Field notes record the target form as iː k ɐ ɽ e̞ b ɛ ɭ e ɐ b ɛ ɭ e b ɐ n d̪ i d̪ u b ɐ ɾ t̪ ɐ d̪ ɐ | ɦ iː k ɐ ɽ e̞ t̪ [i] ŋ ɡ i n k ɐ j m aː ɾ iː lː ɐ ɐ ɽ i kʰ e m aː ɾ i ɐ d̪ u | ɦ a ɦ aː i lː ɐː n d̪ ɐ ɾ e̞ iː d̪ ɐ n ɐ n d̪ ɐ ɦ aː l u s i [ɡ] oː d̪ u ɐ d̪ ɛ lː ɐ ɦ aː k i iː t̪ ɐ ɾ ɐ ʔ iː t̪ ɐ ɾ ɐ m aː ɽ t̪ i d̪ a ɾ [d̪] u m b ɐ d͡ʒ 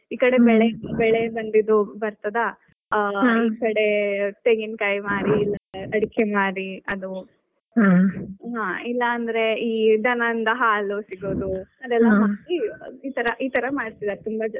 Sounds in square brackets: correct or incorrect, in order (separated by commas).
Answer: incorrect, correct, incorrect